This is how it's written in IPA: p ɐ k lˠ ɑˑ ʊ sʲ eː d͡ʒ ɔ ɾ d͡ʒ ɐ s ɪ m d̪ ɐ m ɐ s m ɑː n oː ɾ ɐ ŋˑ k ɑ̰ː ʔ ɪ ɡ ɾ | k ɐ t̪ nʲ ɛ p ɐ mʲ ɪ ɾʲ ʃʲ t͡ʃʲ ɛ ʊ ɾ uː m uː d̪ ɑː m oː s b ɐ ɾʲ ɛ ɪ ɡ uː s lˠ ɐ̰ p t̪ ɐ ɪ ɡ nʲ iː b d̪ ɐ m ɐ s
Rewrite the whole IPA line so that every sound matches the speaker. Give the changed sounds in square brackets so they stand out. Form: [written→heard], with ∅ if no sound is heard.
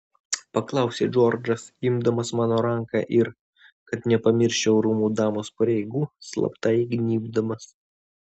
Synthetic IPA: p ɐ k lˠ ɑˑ ʊ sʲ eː d͡ʒ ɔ ɾ d͡ʒ ɐ s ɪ m d̪ ɐ m ɐ s m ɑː n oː ɾ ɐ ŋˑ k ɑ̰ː ʔ ɪ [ɡ→∅] ɾ | k ɐ t̪ nʲ ɛ p ɐ mʲ ɪ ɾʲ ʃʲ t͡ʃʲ ɛ ʊ ɾ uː m uː d̪ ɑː m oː s [b→p] ɐ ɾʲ ɛ ɪ ɡ uː s lˠ ɐ̰ p t̪ ɐ ɪ ɡ nʲ iː b d̪ ɐ m ɐ s